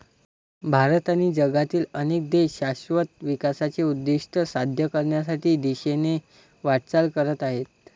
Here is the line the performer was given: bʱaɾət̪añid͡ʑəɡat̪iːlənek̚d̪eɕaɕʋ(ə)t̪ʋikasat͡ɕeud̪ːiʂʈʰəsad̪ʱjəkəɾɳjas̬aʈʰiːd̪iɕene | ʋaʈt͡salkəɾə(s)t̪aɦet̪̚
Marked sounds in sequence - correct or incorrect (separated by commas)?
correct, incorrect